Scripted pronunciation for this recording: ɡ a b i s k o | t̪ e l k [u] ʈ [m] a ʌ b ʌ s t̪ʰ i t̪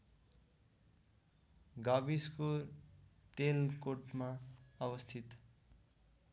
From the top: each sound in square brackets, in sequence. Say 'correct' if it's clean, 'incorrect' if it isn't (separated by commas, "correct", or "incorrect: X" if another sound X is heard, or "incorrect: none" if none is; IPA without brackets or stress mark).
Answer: incorrect: o, correct